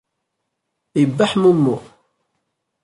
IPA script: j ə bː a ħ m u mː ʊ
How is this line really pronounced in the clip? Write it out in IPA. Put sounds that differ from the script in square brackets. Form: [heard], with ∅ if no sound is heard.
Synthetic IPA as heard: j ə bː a ħ m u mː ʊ